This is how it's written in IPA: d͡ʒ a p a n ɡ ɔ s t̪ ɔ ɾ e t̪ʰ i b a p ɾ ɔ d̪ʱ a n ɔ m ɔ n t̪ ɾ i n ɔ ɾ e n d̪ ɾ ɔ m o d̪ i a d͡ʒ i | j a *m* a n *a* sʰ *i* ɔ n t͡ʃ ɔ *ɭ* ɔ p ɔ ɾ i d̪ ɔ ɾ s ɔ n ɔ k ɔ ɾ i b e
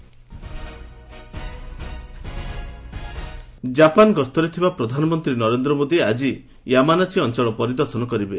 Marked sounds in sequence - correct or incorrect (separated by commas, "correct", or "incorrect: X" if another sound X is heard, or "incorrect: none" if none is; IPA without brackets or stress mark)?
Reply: correct, correct, correct, correct